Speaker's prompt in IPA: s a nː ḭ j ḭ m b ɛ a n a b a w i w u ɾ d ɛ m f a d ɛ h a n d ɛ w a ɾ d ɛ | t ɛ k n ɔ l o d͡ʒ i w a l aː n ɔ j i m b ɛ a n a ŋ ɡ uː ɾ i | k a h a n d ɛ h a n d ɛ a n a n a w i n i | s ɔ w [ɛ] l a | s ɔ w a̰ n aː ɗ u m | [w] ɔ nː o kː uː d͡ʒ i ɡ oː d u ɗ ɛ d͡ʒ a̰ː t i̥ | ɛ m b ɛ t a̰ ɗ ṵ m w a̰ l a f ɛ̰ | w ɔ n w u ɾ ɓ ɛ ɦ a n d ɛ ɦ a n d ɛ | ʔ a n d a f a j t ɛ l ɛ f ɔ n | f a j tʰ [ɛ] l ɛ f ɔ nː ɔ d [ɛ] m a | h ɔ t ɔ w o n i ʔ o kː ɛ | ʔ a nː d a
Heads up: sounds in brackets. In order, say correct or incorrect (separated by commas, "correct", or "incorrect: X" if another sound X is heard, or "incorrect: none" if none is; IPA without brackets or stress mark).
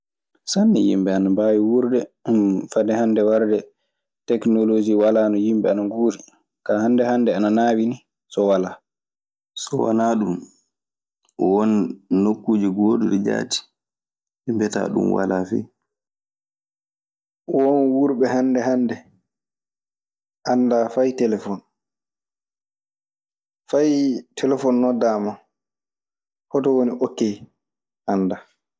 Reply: incorrect: a, correct, correct, incorrect: a